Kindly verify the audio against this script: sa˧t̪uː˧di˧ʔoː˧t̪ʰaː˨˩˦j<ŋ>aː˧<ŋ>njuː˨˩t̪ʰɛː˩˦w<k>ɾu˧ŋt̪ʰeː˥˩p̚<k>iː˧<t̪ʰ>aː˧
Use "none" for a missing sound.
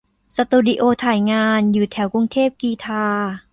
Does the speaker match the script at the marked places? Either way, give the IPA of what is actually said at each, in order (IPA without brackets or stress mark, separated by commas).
ŋ, none, k, k, t̪ʰ